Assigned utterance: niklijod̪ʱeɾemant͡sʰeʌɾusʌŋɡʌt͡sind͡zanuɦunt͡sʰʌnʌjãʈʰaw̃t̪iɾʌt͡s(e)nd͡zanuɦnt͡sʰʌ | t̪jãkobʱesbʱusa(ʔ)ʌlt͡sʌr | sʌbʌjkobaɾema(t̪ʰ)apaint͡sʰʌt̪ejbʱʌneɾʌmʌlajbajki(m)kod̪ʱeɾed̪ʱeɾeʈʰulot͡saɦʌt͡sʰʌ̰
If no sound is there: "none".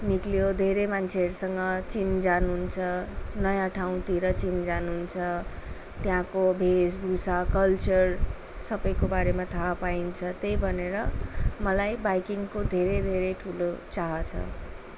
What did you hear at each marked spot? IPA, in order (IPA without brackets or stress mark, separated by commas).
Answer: i, k, t̪ʰ, ŋ